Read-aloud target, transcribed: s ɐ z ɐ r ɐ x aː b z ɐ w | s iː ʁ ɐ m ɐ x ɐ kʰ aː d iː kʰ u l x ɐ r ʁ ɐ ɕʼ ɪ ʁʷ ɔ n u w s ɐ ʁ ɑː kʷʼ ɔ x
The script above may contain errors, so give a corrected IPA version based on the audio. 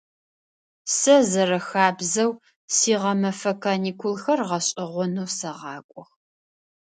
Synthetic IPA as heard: s ɐ z ɐ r ɐ x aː b z ɐ w | s iː ʁ ɐ m ɐ f ɐ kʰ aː n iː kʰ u l x ɐ r ʁ ɐ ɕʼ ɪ ʁʷ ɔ n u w s ɐ ʁ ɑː kʷʼ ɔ x